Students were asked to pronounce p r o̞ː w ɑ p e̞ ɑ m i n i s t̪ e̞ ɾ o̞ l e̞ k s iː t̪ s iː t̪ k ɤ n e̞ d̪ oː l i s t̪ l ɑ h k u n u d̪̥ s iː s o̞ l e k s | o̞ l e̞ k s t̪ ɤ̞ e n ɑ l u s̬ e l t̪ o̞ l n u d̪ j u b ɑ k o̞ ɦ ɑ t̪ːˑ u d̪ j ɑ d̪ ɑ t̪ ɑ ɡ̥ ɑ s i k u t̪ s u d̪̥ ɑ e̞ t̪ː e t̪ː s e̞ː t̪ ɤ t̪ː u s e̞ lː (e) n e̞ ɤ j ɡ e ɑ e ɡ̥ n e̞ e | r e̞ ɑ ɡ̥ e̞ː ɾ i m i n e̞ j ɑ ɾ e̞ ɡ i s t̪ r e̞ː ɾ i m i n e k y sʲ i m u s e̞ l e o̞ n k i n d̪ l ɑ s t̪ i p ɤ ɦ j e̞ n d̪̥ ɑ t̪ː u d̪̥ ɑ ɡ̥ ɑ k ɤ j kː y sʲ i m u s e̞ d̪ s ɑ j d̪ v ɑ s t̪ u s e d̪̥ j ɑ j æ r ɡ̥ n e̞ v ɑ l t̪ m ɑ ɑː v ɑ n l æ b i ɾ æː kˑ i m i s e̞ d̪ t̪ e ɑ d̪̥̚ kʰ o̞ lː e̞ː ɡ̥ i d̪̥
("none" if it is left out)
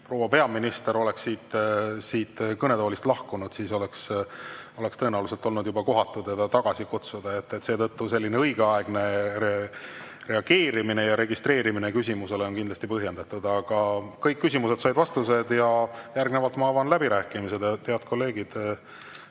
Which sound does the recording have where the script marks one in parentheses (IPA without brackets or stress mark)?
i